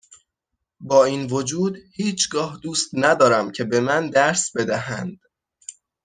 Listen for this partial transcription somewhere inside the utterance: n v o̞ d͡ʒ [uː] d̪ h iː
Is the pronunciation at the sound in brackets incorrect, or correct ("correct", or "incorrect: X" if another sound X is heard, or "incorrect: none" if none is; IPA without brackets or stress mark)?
correct